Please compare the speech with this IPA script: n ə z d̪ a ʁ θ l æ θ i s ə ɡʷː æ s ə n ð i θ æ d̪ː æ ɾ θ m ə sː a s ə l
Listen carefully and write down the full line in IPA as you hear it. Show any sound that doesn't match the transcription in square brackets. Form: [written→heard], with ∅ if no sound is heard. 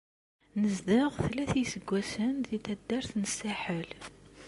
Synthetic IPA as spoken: n ə z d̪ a ʁ θ l æ θ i s ə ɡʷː æ s ə n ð i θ æ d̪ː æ ɾ θ [m→n] ə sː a [s→ħ] ə l

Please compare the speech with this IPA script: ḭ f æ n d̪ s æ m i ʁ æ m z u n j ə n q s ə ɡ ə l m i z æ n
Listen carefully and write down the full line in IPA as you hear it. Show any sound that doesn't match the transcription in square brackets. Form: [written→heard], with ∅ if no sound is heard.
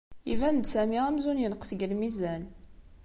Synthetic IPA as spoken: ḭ [f→v] æ n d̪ s æ m i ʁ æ m z u n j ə n q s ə ɡ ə l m i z æ n

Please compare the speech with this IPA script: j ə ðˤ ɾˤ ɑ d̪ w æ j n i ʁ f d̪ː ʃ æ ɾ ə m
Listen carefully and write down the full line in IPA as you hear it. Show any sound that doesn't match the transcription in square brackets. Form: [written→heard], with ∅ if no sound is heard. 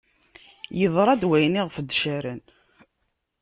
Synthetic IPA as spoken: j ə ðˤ ɾˤ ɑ d̪ w æ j n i ʁ f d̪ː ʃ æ ɾ ə [m→n]

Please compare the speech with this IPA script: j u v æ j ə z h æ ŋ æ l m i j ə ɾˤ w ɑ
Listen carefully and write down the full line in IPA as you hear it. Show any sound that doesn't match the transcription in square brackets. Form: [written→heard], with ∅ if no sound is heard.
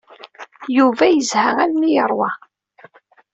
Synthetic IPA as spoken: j u v æ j ə z h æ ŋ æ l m i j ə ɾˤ w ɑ

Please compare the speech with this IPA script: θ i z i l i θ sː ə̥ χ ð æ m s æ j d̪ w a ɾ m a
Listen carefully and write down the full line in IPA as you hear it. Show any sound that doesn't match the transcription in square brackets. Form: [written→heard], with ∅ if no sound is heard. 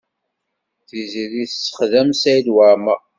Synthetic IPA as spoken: θ i z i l i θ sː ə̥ χ ð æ m s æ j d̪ w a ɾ m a

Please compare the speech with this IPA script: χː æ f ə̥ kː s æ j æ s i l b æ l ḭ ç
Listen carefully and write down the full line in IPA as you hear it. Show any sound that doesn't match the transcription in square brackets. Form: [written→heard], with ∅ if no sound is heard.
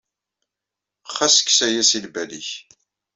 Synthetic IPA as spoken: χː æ [f→s] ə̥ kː s æ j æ s i l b æ l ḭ ç

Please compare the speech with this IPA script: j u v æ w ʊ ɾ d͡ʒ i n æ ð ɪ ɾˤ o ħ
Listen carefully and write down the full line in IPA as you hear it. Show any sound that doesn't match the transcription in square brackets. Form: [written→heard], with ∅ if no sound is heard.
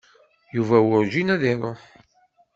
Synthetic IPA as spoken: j u v æ w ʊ ɾ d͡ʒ i n æ ð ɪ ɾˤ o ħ

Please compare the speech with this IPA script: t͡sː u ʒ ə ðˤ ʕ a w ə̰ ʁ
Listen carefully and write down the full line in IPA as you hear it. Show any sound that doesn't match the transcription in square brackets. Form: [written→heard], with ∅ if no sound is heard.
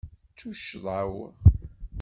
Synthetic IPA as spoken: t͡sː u [ʒ→ʃ] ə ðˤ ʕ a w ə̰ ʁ

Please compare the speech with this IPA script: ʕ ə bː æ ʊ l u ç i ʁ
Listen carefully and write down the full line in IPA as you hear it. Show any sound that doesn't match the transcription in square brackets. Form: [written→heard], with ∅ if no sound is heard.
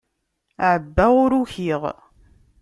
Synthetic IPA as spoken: ʕ ə bː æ ʊ [l→ɾ] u ç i ʁ

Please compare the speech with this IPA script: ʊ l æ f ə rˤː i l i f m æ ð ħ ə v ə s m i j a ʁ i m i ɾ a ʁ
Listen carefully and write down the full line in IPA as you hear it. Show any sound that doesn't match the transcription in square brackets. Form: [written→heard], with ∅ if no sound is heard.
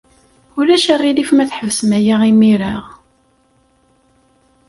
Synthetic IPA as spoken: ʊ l æ [f→ʃ] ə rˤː i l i f m æ [ð→θ] ħ ə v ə s m [i→æ] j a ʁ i m i ɾ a ʁ

